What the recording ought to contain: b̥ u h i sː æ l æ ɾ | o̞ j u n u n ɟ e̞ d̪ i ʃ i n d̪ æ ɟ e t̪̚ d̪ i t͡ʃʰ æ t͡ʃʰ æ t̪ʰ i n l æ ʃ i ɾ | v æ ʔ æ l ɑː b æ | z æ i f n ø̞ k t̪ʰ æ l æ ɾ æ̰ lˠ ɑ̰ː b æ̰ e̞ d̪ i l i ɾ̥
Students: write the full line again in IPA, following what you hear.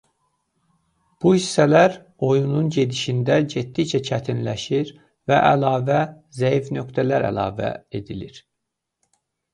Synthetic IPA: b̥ u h i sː æ l æ ɾ | o̞ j u n u n ɟ e̞ d̪ i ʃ i n d̪ æ ɟ e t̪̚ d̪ i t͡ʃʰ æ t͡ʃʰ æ t̪ʰ i n l æ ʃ i ɾ | v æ ʔ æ l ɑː v æ | z æ i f n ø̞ k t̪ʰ æ l æ ɾ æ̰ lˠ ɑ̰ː v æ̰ e̞ d̪ i l i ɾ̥